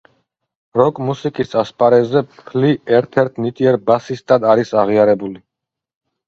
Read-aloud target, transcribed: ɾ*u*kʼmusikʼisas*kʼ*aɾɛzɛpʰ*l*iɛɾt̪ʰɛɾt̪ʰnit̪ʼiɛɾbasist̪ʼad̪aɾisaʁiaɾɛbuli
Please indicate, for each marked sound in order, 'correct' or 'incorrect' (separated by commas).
incorrect, incorrect, correct